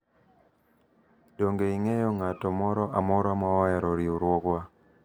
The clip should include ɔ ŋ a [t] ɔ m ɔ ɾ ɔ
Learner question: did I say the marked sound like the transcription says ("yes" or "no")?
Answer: yes